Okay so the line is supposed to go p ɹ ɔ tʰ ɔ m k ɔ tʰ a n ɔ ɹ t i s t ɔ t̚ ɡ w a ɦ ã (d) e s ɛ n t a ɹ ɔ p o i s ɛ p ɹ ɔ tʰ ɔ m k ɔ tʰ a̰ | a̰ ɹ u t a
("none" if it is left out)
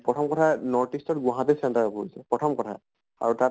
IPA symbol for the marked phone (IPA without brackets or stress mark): t